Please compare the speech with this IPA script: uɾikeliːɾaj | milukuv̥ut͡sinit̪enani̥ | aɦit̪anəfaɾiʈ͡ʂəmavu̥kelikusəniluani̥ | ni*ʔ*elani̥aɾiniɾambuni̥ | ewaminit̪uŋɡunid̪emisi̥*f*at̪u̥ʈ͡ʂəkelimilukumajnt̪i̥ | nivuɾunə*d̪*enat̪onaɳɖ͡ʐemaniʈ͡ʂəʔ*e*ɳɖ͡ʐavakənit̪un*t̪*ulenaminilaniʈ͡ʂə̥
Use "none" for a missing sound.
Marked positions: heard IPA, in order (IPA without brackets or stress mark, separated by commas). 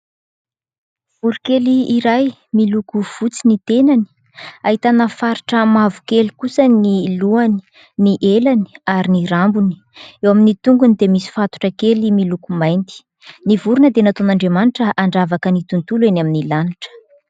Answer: ʔ, f, d̪, a, t̪